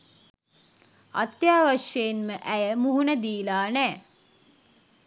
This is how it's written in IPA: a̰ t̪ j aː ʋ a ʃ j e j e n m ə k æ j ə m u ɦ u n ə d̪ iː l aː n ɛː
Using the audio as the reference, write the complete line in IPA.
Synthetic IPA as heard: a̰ t̪ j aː ʋ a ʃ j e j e n m ə ʔ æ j ə m u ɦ u n ə d̪ iː l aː n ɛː